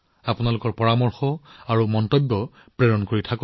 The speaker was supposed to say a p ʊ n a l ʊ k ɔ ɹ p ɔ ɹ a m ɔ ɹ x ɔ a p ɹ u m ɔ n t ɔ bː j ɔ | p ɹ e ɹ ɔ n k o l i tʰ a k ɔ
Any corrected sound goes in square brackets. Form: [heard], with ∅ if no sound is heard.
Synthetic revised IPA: a p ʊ n a l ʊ k ɔ ɹ p ɔ ɹ a m ɔ ɹ x ɔ a [∅] ɹ u m ɔ n t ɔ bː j ɔ | p ɹ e ɹ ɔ n k o [ɹ] i tʰ a k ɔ